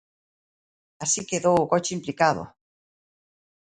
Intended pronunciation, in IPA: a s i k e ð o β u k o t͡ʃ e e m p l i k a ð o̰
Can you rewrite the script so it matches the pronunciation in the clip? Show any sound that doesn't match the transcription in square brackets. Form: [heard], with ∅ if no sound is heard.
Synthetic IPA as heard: a s i k e ð o [w] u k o t͡ʃ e [i] m p l i k a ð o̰